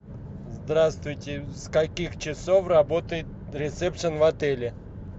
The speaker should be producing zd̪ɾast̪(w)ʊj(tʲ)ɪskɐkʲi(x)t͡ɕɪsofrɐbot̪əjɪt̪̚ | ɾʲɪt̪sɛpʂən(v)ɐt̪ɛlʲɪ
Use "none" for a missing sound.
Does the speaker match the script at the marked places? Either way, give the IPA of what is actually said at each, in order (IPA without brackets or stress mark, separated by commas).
v, tʲ, x, v